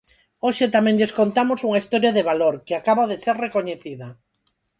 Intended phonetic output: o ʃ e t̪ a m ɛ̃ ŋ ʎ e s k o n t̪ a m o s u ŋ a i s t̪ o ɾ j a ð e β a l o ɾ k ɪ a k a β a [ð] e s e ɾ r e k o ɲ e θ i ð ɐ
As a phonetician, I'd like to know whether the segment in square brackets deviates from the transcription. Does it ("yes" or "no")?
no